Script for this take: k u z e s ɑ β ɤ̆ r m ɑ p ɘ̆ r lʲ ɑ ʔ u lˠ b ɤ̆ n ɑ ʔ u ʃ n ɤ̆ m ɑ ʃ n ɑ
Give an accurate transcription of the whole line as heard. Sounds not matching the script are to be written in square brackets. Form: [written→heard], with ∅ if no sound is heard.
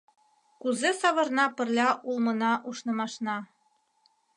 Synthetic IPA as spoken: k u z e s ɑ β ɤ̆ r [m→n] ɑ p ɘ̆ r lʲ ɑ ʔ u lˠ [b→m] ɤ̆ n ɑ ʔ u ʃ n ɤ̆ m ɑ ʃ n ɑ